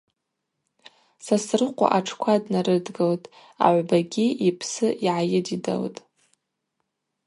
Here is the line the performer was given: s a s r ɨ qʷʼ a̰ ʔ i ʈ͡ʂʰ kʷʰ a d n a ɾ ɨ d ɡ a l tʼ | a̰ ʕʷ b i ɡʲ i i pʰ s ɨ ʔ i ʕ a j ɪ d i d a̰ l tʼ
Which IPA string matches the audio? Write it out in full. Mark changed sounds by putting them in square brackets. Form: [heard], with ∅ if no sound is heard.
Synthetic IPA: s a s r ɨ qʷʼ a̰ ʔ [a] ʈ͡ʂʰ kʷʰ a d n a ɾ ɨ d ɡ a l tʼ | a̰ ʕʷ b [a] ɡʲ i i pʰ s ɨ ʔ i ʕ a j ɪ d i d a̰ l tʼ